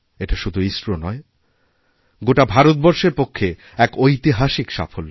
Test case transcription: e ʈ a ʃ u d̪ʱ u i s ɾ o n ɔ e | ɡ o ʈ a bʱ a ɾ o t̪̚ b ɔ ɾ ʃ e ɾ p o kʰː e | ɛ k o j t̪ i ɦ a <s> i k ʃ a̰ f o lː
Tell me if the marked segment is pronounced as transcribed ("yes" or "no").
no